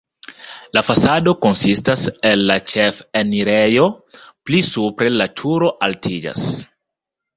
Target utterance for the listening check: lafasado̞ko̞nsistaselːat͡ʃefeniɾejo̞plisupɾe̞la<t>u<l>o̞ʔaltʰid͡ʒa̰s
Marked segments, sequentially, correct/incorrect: incorrect, incorrect

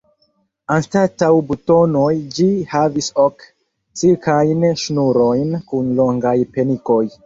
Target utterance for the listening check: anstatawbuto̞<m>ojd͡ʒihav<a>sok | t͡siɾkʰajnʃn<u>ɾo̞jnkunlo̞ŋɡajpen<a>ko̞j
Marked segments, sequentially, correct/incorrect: incorrect, incorrect, correct, incorrect

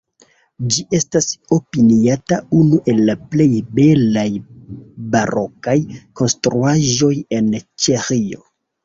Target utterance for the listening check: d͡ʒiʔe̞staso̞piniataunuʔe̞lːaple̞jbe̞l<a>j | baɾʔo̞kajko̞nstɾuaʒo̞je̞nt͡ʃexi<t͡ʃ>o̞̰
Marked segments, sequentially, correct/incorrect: correct, incorrect

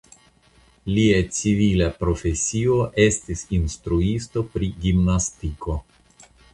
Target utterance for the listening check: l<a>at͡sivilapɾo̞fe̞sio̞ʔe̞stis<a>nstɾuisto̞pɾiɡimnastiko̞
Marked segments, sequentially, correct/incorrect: incorrect, incorrect

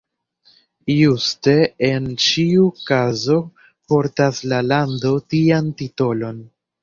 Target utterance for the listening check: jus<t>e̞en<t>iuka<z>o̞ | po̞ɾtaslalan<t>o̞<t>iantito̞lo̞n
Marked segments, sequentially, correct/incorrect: correct, incorrect, correct, incorrect, correct

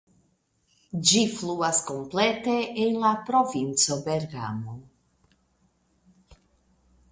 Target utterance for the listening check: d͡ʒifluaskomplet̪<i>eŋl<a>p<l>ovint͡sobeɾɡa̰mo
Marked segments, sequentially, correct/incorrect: incorrect, correct, incorrect

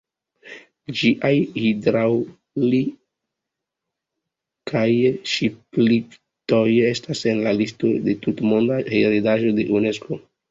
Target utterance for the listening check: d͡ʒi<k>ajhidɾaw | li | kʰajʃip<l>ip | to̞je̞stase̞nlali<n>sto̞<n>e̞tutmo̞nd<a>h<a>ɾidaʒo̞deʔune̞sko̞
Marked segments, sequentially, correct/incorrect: incorrect, correct, incorrect, incorrect, correct, incorrect

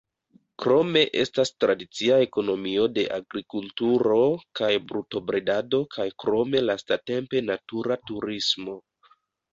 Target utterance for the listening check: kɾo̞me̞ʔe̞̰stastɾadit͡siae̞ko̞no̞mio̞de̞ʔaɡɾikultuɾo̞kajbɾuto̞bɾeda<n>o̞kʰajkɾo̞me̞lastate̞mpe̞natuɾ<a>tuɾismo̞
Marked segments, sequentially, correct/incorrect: incorrect, correct

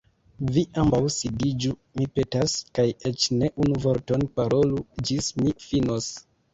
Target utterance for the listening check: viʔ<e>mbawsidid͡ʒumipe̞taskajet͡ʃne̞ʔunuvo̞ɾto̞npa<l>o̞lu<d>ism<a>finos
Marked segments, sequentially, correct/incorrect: incorrect, incorrect, incorrect, incorrect

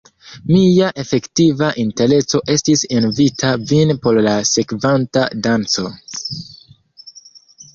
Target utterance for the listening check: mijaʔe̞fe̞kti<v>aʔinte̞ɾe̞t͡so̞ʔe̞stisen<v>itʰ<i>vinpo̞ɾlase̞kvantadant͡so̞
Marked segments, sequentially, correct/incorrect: correct, correct, incorrect

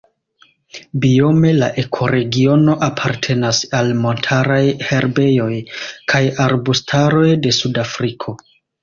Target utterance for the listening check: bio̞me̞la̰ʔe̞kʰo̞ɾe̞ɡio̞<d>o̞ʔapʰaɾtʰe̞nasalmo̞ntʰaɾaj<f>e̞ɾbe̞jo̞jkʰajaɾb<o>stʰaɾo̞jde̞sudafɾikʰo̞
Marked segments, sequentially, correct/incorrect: incorrect, incorrect, incorrect

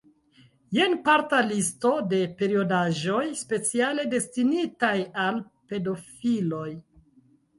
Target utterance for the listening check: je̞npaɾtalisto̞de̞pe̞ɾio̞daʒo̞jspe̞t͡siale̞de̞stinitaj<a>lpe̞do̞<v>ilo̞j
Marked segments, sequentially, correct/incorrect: correct, incorrect

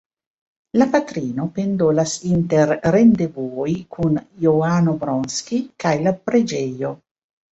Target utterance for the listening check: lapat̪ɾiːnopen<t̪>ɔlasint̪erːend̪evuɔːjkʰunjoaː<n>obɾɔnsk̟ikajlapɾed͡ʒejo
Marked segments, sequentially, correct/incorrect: incorrect, correct

